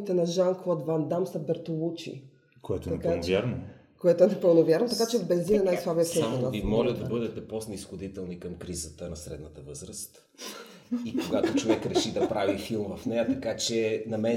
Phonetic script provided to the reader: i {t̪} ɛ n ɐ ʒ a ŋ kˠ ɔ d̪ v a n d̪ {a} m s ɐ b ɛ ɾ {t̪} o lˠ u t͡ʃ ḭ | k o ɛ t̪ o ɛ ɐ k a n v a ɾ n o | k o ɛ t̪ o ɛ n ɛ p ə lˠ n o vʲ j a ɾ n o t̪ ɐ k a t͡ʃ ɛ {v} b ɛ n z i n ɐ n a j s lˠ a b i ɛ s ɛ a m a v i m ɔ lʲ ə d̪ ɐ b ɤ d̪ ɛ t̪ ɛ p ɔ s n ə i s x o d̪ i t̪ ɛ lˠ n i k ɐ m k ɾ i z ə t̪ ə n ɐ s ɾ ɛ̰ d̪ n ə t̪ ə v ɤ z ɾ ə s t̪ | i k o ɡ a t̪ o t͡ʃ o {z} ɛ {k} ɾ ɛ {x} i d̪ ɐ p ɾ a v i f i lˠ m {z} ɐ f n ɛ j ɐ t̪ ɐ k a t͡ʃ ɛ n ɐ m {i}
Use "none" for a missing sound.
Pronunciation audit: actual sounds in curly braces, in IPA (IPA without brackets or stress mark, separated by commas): t̪, a, t̪, v, v, k, ʃ, v, ɛ